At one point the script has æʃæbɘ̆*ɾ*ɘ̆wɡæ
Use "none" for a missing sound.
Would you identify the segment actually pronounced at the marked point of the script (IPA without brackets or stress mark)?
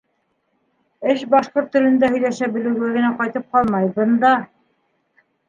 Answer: l